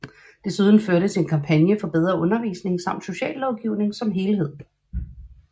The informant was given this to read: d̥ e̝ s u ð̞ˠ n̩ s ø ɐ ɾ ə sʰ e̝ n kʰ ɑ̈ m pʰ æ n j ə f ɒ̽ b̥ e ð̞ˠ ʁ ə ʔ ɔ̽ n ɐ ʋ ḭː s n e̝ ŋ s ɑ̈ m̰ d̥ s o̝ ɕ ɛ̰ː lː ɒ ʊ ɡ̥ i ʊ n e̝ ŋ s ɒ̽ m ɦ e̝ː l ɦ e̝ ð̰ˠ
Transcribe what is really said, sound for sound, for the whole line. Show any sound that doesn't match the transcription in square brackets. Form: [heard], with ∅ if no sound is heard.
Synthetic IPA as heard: d̥ e̝ s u ð̞ˠ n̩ [f] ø ɐ ɾ ə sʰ e̝ n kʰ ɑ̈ m pʰ æ n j ə f ɒ̽ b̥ e ð̞ˠ ʁ [ɐ] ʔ ɔ̽ n ɐ ʋ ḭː s n e̝ ŋ s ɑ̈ m̰ d̥ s o̝ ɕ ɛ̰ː lː ɒ ʊ ɡ̥ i ʊ n e̝ ŋ s ɒ̽ m ɦ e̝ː l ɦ e̝ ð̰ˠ